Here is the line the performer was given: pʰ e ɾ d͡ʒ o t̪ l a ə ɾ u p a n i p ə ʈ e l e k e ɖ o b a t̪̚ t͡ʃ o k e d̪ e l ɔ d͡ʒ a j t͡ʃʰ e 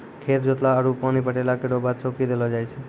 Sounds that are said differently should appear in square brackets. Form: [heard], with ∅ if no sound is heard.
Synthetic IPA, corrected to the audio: [kʰ] e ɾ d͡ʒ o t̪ l a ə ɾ u p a n i p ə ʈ e l [a] k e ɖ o b a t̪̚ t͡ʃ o k [i] d̪ e l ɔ d͡ʒ a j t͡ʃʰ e